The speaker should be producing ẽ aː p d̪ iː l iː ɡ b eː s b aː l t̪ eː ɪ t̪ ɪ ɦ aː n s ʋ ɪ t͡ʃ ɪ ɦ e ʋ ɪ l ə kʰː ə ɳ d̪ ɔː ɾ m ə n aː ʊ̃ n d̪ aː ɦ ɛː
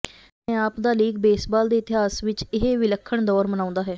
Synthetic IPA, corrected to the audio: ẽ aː p d̪ aː l iː ɡ b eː s b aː l d̪ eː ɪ t̪ ɪ ɦ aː s ʋ ɪ t͡ʃ ɪ ɦ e ʋ ɪ l ə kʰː ə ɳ d̪ ɔː ɾ m ə n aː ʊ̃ n d̪ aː ɦ ɛː